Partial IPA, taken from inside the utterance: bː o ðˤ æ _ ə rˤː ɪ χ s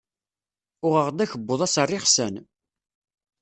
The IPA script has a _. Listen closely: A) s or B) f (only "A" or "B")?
A